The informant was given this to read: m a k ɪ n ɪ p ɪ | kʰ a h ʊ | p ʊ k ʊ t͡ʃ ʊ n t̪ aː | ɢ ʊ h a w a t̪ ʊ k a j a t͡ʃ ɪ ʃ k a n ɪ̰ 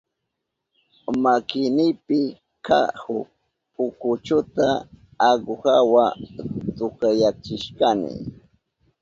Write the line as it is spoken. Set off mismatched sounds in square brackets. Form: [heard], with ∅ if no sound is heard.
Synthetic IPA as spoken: m a k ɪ n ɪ p ɪ | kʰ a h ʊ | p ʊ k ʊ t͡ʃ ʊ [∅] t̪ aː | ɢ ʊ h a w a t̪ ʊ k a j a t͡ʃ ɪ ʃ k a n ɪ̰